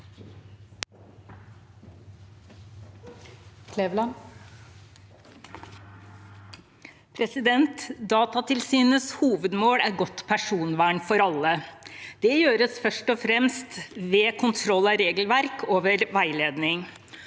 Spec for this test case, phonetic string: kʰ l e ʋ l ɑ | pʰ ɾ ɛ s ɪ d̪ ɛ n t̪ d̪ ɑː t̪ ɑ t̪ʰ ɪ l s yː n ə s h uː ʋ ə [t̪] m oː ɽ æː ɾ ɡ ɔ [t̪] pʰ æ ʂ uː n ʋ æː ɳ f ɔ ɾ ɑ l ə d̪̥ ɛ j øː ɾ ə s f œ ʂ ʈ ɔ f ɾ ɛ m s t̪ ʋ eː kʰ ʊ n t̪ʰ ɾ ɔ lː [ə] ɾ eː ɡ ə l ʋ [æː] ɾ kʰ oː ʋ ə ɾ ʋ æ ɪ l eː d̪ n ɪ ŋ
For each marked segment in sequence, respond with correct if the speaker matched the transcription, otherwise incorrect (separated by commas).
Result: incorrect, correct, incorrect, incorrect